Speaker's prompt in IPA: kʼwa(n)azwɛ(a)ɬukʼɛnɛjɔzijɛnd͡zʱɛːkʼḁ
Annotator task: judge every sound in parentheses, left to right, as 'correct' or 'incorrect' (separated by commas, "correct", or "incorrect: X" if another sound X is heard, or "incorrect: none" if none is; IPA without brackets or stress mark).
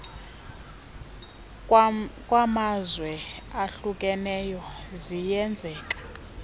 incorrect: m, correct